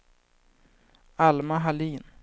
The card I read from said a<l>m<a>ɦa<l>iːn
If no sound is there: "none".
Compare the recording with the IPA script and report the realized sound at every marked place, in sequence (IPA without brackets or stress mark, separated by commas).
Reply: l, a, l